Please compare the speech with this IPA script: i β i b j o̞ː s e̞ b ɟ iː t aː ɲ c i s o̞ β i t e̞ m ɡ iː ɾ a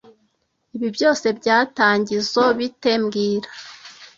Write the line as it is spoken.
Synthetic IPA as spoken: i β i b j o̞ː s e̞ b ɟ aː t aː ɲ ɟ i z o̞ β i t e̞ m ɡ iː ɾ a